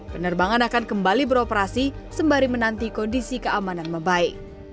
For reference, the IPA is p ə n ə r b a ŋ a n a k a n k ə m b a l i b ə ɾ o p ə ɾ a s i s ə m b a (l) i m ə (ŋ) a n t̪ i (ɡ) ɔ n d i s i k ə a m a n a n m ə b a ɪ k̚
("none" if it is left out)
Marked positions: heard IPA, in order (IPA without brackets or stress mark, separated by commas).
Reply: ɾ, n, k